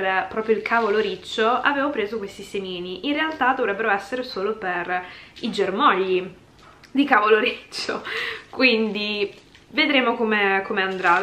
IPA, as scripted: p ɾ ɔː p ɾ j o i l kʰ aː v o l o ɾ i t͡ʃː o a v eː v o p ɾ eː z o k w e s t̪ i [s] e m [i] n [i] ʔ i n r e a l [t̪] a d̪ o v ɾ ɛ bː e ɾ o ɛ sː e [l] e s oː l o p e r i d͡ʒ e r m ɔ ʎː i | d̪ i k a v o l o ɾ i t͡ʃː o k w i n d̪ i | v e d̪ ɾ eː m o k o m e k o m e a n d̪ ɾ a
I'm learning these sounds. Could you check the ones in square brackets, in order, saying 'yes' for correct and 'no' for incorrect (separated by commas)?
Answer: yes, no, yes, yes, no